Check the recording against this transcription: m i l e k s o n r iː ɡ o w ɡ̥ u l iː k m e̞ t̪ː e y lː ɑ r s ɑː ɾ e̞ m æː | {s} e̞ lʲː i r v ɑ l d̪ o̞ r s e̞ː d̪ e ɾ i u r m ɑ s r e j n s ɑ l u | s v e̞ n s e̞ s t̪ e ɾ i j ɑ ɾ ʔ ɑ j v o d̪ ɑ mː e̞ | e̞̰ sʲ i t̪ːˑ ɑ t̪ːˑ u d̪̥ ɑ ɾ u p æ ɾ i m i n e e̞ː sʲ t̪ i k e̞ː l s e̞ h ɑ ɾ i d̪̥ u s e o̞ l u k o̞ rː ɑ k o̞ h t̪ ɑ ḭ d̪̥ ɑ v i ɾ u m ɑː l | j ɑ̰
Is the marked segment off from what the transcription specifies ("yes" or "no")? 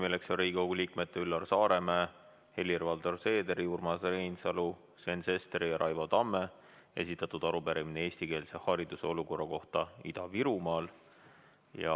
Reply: yes